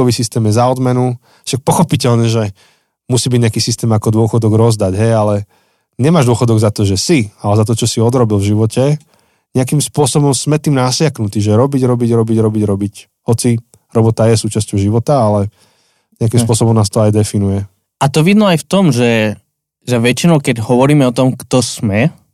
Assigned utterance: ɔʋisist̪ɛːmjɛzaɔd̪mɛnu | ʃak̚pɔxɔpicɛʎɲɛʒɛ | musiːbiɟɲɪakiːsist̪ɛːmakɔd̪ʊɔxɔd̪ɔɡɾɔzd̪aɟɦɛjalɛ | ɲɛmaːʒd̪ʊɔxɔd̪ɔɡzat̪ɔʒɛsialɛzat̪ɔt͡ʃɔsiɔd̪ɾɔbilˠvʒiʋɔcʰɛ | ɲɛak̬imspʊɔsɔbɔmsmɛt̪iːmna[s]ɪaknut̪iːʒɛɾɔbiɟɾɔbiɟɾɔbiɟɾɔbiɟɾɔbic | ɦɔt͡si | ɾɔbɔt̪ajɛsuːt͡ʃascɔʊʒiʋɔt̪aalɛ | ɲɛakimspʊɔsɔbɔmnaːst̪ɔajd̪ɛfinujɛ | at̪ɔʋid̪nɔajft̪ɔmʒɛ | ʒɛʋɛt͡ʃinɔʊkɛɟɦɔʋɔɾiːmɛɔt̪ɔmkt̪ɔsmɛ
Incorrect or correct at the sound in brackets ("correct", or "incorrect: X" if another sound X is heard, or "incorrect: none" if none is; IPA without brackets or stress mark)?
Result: correct